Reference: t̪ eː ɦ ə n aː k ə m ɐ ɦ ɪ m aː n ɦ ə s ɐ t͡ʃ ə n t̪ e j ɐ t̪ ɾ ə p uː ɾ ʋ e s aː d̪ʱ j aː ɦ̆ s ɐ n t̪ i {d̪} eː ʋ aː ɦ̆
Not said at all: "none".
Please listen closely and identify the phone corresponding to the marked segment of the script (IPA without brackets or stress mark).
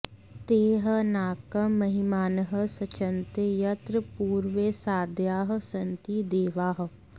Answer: d̪